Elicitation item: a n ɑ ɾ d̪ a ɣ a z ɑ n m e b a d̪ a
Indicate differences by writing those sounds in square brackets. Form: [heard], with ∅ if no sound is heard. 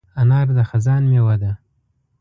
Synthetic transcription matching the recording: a n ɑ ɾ d̪ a [x] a z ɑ n m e [w] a d̪ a